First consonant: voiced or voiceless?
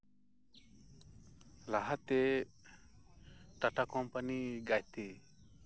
voiced